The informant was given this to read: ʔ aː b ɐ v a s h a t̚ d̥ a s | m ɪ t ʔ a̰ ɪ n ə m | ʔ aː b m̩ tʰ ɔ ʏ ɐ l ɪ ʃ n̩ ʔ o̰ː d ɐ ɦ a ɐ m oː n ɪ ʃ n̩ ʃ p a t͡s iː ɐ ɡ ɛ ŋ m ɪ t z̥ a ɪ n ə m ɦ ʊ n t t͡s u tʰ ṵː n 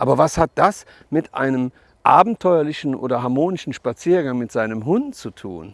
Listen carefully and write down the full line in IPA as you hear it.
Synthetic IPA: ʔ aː b ɐ v a s h a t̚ d̥ a s | m ɪ t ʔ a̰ ɪ n ə m | ʔ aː b m̩ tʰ ɔ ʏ ɐ l ɪ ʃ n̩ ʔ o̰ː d ɐ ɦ a ɐ m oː n ɪ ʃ n̩ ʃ p a t͡s iː ɐ ɡ a ŋ m ɪ t z̥ a ɪ n ə m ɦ ʊ n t t͡s u tʰ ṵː n

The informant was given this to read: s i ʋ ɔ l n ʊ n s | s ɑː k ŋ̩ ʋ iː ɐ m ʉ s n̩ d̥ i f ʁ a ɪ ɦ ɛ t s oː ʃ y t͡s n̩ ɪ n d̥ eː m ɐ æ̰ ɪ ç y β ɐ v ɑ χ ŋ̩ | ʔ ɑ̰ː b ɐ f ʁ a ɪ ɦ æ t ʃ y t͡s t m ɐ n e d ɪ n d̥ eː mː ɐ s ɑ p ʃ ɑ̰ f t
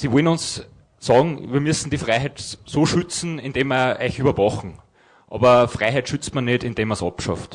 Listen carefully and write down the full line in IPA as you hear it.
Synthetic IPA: s i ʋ ɔ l n ʊ n s | s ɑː ɡ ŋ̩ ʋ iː ɐ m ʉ s n̩ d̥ i f ʁ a ɪ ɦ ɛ t s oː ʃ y t͡s n̩ ɪ n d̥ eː m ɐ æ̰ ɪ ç y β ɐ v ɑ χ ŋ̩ | ʔ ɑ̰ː b ɐ f ʁ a ɪ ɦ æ t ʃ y t͡s t m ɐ n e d ɪ n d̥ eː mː ɐ s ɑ p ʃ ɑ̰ f t

